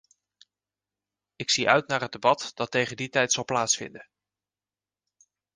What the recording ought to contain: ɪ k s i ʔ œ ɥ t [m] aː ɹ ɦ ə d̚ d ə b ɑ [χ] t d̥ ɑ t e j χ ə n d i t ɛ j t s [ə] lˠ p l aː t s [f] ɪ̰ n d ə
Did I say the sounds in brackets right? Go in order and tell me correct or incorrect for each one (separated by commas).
incorrect, incorrect, incorrect, correct